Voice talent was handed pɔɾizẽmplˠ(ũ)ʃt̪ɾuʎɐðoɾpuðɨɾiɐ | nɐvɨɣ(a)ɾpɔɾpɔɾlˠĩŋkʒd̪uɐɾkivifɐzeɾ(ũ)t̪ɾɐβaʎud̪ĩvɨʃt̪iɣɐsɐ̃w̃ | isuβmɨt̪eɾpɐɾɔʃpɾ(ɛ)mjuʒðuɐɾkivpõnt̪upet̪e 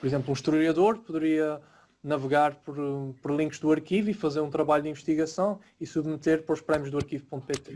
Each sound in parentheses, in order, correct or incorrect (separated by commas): correct, correct, correct, correct